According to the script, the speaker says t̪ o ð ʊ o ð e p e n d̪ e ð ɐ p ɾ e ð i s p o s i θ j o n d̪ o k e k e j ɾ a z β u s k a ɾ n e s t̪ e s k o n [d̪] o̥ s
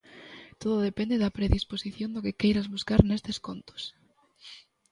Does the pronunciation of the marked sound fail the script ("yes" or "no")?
yes